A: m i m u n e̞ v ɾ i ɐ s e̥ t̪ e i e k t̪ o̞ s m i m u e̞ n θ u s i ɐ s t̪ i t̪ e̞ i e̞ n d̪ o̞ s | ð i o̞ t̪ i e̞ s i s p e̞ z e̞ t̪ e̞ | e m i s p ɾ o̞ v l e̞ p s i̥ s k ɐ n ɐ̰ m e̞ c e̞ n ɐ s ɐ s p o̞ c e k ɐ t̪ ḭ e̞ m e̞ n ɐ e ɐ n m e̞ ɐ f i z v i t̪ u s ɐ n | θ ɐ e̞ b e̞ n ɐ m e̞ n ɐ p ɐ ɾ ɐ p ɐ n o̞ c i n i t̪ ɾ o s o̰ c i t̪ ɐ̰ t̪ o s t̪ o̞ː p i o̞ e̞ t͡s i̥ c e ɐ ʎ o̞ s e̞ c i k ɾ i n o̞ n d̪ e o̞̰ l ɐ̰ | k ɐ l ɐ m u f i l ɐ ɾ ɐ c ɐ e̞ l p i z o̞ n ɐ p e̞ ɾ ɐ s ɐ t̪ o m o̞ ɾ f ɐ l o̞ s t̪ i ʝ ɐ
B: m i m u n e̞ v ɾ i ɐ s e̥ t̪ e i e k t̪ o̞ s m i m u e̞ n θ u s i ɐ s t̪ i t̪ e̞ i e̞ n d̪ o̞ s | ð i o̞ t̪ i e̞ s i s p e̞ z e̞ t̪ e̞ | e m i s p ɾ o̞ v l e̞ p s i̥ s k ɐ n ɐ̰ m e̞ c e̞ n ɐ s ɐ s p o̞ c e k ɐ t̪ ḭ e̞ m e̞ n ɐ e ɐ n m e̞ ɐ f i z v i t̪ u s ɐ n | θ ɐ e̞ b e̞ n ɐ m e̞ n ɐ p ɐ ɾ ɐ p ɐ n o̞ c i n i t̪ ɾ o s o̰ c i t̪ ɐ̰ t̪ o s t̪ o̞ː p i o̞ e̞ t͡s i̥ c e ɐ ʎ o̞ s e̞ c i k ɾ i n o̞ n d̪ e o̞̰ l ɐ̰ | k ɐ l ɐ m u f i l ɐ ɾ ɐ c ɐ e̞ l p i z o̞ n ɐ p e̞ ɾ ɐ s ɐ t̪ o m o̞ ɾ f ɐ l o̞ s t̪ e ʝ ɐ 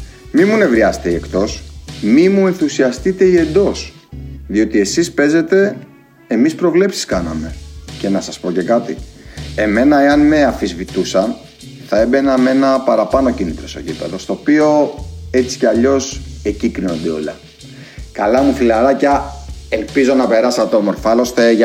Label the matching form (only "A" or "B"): B